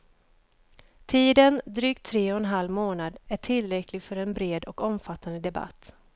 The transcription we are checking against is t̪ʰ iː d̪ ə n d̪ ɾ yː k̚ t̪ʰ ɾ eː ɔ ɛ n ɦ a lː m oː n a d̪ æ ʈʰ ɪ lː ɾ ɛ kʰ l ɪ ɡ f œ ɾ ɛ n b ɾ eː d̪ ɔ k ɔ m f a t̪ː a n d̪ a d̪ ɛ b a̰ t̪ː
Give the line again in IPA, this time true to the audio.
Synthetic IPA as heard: t̪ʰ iː d̪ ə n d̪ ɾ yː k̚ t̪ʰ ɾ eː ɔ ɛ n ɦ a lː m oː n a d̪ æ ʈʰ ɪ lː ɾ ɛ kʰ l ɪ ɡ f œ ɾ ɛ n b ɾ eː d̪ ɔ k ɔ m f a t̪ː a n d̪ ə d̪ ɛ b a̰ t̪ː